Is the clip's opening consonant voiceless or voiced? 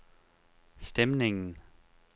voiceless